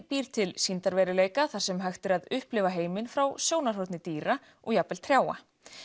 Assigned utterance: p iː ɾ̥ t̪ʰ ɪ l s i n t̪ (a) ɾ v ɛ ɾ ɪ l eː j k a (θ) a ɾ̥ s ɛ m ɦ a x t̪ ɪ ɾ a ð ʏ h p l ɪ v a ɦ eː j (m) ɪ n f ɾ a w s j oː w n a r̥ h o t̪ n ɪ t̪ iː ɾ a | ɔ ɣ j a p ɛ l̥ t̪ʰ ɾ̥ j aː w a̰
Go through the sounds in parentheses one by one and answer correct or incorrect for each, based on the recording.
correct, correct, correct

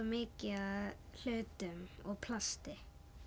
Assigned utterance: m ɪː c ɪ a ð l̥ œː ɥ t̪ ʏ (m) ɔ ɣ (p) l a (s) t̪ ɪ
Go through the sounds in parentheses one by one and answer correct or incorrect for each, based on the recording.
correct, incorrect, correct

